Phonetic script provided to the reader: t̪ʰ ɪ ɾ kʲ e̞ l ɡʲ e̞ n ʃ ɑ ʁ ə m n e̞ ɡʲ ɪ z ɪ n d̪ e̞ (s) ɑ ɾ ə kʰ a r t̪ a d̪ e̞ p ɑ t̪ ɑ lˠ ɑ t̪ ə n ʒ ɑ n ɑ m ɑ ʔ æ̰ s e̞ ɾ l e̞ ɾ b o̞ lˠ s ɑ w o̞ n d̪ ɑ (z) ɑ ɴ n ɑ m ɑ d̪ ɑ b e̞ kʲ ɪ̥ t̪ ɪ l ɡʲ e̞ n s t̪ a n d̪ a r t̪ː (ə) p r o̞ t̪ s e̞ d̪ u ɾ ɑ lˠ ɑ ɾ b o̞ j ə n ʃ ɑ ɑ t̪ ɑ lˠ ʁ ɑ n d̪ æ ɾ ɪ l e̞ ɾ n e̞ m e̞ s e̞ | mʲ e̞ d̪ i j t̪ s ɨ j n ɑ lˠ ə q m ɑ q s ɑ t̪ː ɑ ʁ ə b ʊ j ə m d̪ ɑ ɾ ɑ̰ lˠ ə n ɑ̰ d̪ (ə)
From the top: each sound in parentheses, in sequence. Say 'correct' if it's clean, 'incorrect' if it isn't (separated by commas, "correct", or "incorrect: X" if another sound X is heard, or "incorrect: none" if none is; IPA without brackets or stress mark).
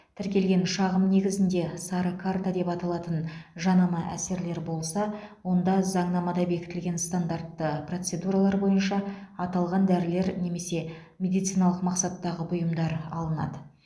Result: correct, correct, correct, correct